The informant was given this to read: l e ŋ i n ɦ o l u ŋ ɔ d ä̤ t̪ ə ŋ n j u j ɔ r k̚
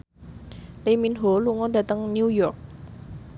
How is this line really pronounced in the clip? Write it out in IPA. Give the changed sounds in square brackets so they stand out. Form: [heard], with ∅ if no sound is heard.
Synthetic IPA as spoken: l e [m] i n ɦ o l u ŋ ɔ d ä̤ t̪ ə ŋ n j u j ɔ r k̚